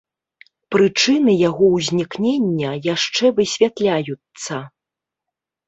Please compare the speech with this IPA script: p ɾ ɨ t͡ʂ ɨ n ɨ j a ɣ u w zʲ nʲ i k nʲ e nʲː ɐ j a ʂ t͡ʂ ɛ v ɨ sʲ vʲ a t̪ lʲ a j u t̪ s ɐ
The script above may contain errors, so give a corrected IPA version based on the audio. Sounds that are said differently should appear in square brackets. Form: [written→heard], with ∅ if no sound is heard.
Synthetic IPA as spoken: p ɾ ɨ t͡ʂ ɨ n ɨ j a ɣ [u→ɔ] w zʲ nʲ i k nʲ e nʲː ɐ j a ʂ t͡ʂ ɛ v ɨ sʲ vʲ a t̪ lʲ a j u t̪ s ɐ